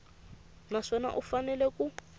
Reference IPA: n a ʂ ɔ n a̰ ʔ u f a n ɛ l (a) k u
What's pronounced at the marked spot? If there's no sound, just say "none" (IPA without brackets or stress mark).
ɛ